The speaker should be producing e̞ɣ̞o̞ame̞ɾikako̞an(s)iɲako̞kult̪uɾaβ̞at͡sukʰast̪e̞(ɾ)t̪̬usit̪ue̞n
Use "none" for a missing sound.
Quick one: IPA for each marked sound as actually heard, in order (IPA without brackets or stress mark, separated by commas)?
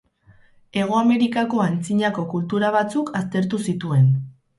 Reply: t͡s, ɾ